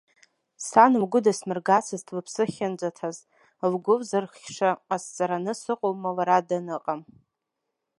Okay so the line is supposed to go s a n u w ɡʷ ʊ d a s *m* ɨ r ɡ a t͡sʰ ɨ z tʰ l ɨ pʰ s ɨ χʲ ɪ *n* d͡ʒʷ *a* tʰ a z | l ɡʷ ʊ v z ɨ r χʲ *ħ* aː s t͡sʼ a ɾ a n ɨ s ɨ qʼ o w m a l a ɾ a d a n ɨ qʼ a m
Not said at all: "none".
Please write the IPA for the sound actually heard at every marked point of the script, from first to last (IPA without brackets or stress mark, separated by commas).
m, n, a, ʂ